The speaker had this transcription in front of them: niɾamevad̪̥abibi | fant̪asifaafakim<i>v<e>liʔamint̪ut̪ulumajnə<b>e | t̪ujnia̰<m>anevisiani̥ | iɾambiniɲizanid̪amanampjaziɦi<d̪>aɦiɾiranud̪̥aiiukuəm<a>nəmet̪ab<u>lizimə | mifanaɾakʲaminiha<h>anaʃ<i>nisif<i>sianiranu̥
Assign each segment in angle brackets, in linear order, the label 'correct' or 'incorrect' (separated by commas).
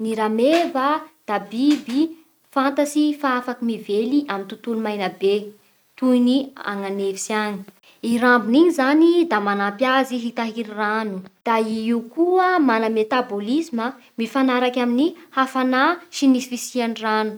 correct, correct, correct, incorrect, incorrect, correct, incorrect, incorrect, correct, correct